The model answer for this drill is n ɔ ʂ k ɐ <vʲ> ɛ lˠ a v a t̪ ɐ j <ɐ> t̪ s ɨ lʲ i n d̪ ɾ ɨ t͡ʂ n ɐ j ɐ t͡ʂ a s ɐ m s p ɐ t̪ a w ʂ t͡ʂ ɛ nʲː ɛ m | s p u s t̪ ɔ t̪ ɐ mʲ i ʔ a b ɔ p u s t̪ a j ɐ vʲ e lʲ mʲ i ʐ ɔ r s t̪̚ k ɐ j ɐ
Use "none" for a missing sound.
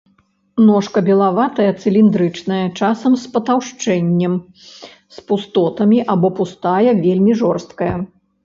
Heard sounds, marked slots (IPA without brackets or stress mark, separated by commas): bʲ, ɐ